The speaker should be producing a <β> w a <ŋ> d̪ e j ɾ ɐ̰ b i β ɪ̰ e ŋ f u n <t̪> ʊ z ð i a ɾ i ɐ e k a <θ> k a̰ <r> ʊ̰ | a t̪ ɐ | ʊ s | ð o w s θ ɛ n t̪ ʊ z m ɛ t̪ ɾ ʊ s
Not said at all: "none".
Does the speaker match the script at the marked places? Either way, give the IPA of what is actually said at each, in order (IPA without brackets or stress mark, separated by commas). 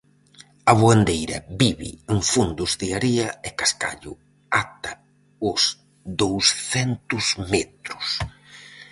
β, n, d̪, s, ʎ